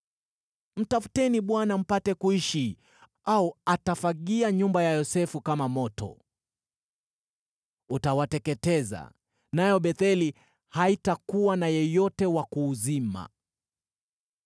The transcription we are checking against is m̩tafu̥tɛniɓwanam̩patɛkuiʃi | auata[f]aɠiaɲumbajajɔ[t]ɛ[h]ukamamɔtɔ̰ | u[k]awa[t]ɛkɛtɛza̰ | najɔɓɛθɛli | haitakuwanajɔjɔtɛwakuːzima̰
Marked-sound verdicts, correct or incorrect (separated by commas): correct, incorrect, incorrect, incorrect, correct